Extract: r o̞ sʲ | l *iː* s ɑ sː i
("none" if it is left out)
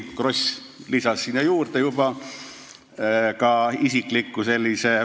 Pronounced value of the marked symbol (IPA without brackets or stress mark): i